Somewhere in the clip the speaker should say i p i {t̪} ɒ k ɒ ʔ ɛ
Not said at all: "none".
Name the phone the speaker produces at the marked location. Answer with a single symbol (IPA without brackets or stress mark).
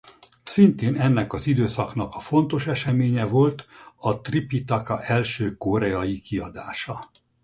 t̪